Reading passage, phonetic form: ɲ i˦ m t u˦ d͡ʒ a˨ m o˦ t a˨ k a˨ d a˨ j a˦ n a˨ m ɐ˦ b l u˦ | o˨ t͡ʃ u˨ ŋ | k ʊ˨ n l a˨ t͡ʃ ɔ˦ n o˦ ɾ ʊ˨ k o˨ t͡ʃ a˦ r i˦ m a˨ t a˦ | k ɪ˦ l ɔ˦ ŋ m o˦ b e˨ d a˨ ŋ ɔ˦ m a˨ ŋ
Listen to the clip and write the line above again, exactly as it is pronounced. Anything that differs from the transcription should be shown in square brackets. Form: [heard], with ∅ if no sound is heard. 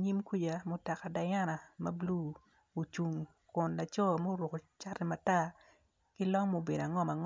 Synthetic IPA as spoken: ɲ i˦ m [k] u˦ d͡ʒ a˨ m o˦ t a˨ k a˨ d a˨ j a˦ n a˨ m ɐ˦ b l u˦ | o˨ t͡ʃ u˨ ŋ | k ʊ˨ n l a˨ t͡ʃ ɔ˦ [m] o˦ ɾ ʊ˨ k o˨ t͡ʃ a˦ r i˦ m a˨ t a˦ | k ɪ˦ l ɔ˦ ŋ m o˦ b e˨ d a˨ ŋ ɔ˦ m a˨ ŋ